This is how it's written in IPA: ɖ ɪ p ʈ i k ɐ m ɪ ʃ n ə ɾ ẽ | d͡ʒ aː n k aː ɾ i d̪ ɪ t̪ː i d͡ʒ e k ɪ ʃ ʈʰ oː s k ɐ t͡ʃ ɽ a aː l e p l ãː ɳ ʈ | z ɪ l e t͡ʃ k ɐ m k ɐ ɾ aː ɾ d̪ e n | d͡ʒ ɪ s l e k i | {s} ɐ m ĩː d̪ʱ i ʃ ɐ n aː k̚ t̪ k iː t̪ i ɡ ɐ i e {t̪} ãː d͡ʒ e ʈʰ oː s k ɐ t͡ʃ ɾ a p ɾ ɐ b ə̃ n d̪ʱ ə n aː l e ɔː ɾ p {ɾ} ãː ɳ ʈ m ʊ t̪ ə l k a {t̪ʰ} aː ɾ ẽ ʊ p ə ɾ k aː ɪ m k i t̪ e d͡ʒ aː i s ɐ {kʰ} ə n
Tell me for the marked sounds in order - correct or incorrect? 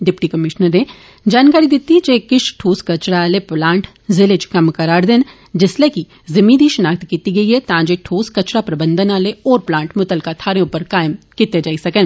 incorrect, correct, incorrect, correct, incorrect

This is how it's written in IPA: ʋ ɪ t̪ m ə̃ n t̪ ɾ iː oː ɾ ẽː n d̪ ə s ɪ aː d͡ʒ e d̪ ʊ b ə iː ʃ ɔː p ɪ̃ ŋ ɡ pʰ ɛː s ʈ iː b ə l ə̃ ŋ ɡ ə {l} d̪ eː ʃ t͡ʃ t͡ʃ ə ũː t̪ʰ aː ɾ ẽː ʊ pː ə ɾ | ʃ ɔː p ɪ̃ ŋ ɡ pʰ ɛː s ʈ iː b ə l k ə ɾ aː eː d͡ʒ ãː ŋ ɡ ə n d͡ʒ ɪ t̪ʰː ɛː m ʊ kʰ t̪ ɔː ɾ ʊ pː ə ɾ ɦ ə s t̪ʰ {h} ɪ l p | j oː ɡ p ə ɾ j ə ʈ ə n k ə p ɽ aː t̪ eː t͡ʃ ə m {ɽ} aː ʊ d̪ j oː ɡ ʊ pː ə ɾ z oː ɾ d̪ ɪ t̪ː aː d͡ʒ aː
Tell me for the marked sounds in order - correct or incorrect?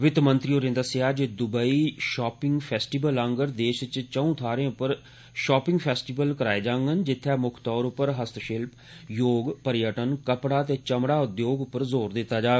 incorrect, incorrect, correct

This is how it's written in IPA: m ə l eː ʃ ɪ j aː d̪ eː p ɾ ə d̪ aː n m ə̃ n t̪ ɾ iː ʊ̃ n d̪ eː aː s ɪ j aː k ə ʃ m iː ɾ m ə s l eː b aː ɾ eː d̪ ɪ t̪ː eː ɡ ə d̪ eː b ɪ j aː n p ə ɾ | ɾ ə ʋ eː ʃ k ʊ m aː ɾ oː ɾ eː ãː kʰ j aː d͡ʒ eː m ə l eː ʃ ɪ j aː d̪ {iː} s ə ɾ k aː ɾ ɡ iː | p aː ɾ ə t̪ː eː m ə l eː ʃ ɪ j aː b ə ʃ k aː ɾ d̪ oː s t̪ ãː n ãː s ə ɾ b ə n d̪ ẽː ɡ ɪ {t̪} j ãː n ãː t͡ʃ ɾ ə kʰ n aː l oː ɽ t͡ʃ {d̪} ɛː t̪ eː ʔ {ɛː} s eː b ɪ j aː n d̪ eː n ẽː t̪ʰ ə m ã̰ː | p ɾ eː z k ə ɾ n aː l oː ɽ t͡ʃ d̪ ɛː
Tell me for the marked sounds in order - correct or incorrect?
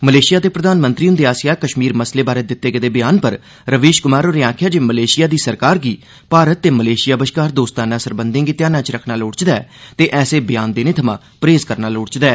correct, correct, correct, correct

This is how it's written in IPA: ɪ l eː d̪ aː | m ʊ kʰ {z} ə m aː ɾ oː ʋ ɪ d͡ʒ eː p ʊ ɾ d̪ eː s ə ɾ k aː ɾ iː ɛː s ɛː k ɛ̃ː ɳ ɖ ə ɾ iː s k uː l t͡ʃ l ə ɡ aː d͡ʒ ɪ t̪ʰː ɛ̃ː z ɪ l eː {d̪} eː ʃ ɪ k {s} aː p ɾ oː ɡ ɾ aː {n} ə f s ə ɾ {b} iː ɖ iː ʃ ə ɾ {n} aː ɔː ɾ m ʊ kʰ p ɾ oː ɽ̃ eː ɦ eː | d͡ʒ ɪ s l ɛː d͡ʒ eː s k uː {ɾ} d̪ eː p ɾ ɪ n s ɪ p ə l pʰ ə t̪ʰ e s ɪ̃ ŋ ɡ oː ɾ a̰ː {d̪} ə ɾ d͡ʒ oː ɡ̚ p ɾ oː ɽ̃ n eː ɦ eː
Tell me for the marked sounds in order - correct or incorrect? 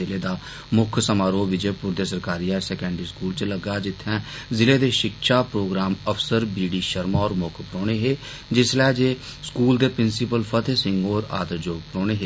incorrect, correct, incorrect, incorrect, correct, incorrect, incorrect, correct

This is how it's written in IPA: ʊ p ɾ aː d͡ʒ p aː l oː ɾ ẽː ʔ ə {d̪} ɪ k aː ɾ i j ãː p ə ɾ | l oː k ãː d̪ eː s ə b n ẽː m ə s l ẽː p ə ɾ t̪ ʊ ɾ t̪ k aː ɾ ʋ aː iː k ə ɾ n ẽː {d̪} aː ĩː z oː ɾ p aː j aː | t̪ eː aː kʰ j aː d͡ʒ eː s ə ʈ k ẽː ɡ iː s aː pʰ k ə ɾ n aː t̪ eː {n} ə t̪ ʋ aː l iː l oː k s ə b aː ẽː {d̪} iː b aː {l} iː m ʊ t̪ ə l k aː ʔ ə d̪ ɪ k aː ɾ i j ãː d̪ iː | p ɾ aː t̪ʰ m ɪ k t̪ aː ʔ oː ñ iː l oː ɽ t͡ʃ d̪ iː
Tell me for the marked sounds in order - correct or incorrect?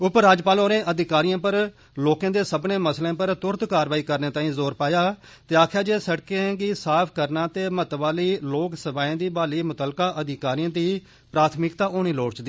correct, incorrect, incorrect, correct, correct

